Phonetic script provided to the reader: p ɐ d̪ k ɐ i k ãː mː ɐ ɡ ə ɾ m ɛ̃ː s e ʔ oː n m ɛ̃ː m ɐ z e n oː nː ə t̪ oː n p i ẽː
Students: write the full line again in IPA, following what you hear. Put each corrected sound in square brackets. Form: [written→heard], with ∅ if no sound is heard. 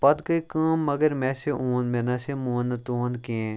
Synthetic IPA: p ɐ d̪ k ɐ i k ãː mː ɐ ɡ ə ɾ m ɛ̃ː s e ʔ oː n m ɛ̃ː [m→n] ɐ [z→s] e [n→m] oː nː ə t̪ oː n [p→k] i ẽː

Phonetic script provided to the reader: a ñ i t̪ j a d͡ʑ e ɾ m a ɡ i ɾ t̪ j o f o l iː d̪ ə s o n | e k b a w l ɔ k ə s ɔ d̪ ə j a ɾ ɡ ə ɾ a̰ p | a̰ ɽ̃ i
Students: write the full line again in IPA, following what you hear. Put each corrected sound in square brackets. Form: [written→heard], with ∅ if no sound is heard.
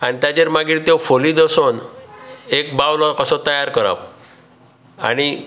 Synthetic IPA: a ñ i t̪ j a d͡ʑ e ɾ m a ɡ i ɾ t̪ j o f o l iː d̪ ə s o n | e k b a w l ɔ k ə s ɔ [d̪→t̪] ə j a ɾ [ɡ→k] ə ɾ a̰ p | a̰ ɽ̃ i

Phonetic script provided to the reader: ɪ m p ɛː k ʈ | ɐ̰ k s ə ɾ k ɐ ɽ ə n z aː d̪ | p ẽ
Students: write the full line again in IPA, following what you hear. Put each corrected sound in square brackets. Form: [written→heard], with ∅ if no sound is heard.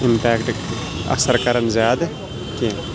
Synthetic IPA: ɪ m p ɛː k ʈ | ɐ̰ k s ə ɾ k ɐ [ɽ→ɾ] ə n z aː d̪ | [p→k] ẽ

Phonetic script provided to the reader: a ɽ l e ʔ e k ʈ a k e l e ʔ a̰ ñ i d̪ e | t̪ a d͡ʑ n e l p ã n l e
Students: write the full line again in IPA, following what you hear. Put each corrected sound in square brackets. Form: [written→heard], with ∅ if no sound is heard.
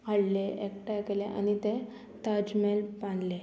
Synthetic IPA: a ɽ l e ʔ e k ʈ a k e l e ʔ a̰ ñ i [d̪→t̪] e | t̪ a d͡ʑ [n→m] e l p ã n l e

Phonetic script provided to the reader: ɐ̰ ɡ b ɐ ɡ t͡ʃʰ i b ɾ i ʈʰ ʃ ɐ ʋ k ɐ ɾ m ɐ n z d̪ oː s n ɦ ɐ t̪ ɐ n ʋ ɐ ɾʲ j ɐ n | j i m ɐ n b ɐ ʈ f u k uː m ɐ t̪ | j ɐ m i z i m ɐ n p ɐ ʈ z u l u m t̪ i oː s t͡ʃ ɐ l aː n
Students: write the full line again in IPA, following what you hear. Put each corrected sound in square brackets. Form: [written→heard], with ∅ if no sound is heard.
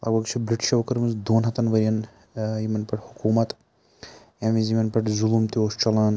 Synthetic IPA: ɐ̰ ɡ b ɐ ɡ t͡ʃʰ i b ɾ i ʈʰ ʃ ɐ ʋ k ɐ ɾ m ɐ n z d̪ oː [s→∅] n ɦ ɐ t̪ ɐ n ʋ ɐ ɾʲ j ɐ n | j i m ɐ n [b→p] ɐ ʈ [f→h] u k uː m ɐ t̪ | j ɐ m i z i m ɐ n p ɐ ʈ z u l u m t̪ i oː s t͡ʃ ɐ l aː n

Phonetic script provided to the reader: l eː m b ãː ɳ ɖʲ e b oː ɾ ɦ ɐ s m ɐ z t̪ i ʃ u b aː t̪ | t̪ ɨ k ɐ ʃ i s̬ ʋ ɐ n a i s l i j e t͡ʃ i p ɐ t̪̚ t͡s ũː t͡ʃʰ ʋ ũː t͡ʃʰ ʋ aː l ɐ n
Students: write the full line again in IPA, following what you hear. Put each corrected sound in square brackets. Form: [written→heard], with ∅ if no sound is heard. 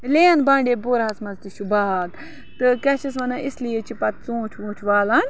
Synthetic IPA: l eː [m→n] b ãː ɳ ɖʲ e b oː ɾ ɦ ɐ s m ɐ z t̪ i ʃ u b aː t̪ | t̪ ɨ k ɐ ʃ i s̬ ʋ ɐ n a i s l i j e t͡ʃ i p ɐ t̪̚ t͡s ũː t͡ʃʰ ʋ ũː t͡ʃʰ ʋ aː l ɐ n

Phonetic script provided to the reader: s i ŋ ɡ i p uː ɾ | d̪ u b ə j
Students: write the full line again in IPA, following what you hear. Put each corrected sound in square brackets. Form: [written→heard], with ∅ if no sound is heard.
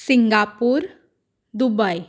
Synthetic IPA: s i ŋ ɡ [i→a] p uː ɾ | d̪ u b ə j

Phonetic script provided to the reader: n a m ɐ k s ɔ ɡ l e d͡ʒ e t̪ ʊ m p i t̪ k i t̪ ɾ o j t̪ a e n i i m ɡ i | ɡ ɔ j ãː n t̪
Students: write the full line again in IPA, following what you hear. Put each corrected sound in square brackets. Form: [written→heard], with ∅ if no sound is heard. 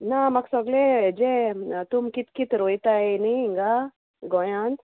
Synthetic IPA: n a m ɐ k s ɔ ɡ l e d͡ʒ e t̪ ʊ m [p→k] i t̪ k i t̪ ɾ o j t̪ a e n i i [m→ŋ] ɡ [i→a] | ɡ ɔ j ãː n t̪

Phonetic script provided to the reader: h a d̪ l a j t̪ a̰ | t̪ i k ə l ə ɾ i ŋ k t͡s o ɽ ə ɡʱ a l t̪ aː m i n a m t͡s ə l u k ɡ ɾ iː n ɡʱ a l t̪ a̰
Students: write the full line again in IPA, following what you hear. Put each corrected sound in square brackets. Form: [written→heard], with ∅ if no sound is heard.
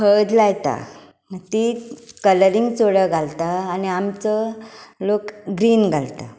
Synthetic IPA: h [a→ə] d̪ l a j t̪ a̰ | t̪ i k ə l ə ɾ i ŋ [k→ɡ] t͡s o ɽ ə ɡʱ a l t̪ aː [m→n] i [n→∅] a m t͡s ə l [u→o] k ɡ ɾ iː n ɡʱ a l t̪ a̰

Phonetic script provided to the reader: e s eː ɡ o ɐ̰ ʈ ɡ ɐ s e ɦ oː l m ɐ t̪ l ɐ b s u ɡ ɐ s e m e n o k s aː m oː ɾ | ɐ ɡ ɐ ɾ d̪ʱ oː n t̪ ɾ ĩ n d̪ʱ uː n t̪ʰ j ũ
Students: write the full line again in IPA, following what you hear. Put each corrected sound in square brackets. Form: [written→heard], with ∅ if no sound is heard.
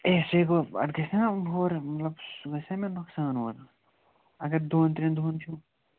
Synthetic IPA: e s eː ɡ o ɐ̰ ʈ ɡ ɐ s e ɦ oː [l→ɾ] m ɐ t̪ l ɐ b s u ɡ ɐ s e m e n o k s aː [m→n] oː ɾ | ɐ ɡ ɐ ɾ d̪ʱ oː n t̪ ɾ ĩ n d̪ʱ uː n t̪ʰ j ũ

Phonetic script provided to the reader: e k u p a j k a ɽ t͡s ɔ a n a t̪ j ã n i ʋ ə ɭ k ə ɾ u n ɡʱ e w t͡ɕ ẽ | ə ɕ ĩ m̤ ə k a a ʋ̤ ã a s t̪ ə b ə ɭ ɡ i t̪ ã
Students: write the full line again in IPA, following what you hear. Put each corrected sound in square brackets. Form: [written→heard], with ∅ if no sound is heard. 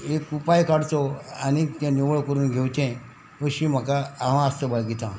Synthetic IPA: e k u p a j k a ɽ t͡s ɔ a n [a→i] t̪ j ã n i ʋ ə ɭ k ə ɾ [u→uː] n ɡʱ e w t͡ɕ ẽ | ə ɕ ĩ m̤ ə k a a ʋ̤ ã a s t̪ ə b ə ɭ ɡ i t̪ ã

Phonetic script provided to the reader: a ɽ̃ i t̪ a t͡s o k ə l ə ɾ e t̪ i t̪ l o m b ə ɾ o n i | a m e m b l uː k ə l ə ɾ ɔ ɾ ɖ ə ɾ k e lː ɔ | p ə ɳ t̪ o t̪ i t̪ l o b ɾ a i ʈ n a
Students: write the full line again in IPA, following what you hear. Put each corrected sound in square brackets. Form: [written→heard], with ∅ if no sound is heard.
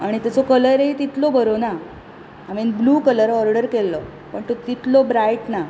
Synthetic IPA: a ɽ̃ i t̪ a t͡s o k ə l ə ɾ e t̪ i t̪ l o [m→∅] b ə ɾ o n [i→a] | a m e [m→n] b l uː k ə l ə ɾ ɔ ɾ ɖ ə ɾ k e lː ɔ | p ə ɳ t̪ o t̪ i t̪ l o b ɾ a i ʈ n a

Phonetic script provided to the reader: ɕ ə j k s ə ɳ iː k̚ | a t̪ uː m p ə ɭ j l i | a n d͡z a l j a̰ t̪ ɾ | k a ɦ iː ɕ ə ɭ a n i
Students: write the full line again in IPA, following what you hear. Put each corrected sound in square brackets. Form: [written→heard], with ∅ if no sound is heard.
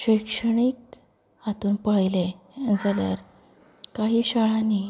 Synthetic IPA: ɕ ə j k [s→ʂ] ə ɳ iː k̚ | a t̪ uː [m→n] p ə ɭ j l [i→e] | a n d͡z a l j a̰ [t̪→∅] ɾ | k a ɦ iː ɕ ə ɭ a n i

